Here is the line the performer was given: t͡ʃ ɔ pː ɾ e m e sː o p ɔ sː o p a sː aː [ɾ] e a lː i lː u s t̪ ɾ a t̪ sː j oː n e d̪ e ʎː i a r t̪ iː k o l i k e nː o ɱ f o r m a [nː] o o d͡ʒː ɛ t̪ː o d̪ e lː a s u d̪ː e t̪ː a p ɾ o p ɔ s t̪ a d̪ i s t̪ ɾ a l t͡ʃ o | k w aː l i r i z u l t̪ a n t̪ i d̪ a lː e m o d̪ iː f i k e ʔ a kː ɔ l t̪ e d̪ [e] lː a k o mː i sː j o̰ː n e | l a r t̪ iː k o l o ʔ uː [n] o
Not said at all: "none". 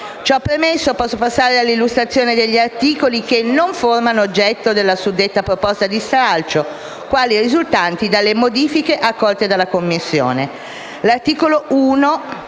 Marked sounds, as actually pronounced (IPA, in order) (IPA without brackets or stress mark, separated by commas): ɾ, n, a, n